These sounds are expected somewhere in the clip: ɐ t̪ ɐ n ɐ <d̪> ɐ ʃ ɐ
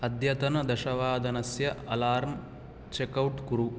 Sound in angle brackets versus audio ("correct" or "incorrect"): correct